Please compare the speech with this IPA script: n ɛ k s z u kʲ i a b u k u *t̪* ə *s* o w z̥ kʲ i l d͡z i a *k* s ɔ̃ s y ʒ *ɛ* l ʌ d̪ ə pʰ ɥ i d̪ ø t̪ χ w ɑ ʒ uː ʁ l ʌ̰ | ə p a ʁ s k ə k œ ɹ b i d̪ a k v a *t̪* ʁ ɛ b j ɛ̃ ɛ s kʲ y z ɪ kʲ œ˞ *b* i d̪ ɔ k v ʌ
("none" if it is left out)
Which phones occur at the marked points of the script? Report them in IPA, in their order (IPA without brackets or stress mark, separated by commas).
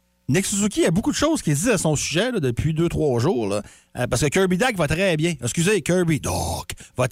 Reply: d̪, ʃ, none, ɛ, t̪, b